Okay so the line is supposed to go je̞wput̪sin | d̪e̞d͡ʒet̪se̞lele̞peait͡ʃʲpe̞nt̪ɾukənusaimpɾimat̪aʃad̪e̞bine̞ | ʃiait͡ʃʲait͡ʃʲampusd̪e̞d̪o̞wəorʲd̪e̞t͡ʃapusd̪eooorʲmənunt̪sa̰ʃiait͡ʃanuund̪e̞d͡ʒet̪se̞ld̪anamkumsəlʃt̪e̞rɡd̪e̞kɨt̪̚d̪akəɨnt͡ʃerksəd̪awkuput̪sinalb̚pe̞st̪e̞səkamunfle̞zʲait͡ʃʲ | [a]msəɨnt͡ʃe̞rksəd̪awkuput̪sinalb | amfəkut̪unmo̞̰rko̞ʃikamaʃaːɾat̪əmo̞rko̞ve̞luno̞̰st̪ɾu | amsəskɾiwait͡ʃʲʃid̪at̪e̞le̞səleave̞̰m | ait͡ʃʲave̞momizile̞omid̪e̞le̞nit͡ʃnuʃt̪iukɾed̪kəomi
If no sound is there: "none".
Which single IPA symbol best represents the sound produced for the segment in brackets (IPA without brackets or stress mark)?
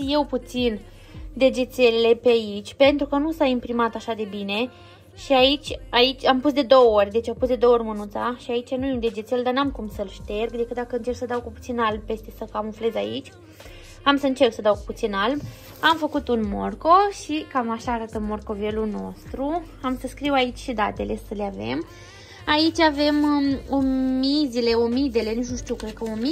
a